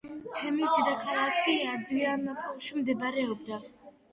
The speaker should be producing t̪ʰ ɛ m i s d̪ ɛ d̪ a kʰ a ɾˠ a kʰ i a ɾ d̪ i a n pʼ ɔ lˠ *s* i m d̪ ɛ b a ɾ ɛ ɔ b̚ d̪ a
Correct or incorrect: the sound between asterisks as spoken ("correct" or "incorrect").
incorrect